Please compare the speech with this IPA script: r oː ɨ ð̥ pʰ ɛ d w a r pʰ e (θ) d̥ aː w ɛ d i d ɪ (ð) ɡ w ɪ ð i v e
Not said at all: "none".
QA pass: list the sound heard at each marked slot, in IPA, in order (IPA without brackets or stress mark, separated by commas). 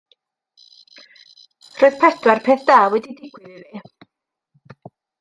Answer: θ, none